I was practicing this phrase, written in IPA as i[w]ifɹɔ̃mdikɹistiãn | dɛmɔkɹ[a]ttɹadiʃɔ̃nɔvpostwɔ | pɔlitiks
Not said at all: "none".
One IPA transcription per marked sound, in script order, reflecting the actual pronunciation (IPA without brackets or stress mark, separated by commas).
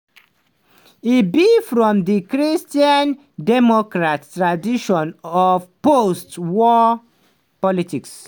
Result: b, a